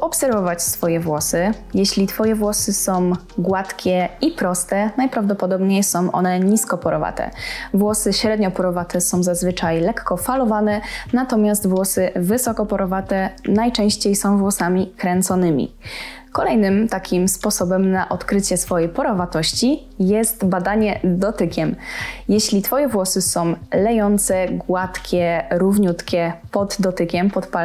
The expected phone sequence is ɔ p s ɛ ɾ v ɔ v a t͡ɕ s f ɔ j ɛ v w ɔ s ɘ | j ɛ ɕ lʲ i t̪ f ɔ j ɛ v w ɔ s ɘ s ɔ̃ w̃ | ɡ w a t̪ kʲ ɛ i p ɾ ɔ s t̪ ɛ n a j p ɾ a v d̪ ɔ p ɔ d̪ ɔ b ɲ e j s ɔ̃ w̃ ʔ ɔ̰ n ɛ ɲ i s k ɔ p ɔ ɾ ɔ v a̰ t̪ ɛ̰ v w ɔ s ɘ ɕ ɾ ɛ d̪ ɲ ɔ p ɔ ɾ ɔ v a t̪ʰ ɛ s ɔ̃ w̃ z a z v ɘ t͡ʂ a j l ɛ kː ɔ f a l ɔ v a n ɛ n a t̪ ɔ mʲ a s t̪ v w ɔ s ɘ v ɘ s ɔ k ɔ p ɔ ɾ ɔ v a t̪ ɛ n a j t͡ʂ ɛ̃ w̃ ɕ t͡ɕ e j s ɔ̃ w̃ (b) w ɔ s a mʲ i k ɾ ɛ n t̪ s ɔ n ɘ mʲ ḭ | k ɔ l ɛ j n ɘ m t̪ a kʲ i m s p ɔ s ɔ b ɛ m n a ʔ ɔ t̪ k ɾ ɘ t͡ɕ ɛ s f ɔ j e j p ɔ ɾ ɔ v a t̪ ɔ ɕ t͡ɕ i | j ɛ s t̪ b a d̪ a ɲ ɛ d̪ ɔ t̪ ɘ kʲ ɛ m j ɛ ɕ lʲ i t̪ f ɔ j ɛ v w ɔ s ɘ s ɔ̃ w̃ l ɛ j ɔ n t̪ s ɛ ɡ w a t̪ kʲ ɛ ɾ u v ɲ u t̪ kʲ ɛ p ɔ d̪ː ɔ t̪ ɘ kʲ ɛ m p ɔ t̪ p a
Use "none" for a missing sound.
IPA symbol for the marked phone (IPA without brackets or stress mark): v